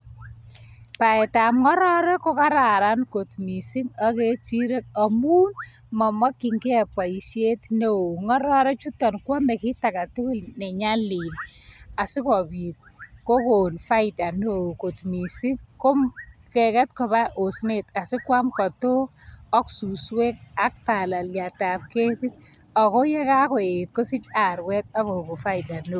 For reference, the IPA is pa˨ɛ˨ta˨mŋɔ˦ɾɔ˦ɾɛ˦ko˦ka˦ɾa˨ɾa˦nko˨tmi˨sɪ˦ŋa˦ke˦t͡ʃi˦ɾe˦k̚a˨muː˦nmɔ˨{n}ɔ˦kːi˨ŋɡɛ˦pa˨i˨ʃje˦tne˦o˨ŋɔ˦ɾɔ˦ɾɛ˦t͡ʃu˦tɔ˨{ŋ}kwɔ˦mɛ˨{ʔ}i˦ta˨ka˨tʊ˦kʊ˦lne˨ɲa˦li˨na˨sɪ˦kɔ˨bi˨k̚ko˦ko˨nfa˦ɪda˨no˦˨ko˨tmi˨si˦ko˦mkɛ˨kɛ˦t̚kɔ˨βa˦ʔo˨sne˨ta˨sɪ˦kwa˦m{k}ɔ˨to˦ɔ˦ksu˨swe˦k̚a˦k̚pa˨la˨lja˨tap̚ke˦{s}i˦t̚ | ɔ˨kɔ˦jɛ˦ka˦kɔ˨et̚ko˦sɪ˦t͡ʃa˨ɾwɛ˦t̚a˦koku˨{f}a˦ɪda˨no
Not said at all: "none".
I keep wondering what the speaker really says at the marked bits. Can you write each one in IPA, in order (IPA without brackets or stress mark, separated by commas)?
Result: m, n, k, k, t, f